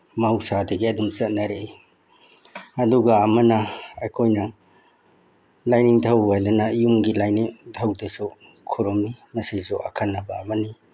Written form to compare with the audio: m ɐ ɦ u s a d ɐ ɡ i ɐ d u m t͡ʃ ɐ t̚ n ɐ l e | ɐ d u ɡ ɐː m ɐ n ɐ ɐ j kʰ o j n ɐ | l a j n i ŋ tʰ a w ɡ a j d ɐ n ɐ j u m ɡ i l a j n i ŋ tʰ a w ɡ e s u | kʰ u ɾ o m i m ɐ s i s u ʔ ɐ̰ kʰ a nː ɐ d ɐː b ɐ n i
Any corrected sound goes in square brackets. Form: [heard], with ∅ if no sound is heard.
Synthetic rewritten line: m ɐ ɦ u s a d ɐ ɡ i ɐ d u m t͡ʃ ɐ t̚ n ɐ [ɾ] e | ɐ d u ɡ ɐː m ɐ n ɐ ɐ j kʰ o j n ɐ | l a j n i ŋ tʰ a w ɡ a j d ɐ n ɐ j u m ɡ i l a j n i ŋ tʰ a w [d] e s u | kʰ u ɾ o m i m ɐ s i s u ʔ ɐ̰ kʰ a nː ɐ [b] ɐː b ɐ n i